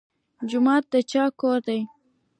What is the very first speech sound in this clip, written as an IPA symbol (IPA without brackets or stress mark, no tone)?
d͡ʒ